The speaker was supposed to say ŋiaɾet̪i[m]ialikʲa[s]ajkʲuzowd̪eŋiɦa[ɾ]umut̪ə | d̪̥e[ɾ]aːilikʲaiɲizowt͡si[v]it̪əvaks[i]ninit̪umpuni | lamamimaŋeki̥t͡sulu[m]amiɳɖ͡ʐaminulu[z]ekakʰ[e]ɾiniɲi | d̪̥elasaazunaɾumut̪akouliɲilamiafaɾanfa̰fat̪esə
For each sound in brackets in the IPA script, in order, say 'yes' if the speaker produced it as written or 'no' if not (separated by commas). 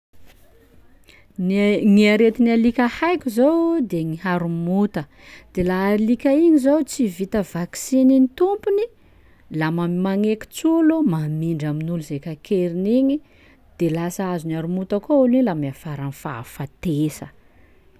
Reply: no, no, yes, no, yes, yes, yes, yes, yes